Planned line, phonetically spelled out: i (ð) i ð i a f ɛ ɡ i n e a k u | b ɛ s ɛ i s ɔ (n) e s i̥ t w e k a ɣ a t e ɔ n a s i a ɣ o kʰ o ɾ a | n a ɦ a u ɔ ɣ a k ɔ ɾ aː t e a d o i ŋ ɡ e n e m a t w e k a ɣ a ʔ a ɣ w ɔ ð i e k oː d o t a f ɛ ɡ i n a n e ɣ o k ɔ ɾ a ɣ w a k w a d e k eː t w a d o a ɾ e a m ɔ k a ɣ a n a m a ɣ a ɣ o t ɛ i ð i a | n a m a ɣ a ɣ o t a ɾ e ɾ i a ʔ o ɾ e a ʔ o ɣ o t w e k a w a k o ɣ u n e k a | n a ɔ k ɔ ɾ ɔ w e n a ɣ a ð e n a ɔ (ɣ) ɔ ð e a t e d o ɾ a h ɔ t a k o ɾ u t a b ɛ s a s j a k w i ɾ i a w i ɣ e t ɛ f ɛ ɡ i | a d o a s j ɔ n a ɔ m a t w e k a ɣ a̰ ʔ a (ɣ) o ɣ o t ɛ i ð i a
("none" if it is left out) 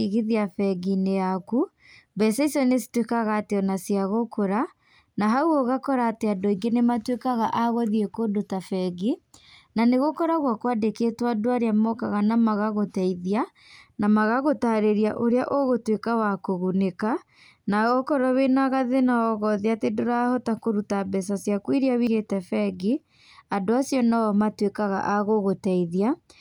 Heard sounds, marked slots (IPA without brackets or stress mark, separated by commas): ɣ, n, ɣ, ɣ